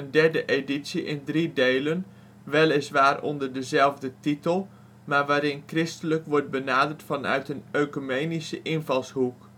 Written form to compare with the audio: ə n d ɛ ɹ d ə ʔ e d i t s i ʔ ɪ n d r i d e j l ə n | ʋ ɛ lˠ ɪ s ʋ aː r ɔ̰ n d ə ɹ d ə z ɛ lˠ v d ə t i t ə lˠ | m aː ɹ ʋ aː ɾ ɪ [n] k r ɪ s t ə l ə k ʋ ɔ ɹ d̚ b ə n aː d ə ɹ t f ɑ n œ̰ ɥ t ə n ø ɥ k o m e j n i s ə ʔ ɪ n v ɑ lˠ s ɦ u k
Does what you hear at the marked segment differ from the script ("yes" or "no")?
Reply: no